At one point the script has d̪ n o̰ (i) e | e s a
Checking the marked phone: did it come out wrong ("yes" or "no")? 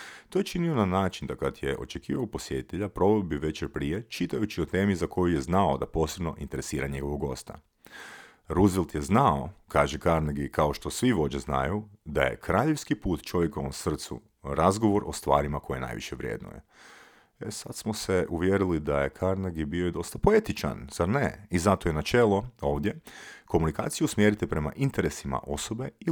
yes